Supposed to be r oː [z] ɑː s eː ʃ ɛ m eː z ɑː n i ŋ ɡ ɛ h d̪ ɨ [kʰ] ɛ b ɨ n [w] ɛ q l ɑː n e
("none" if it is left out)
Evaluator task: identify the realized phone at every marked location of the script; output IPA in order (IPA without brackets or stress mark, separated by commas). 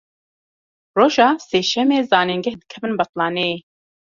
ʒ, kʰ, b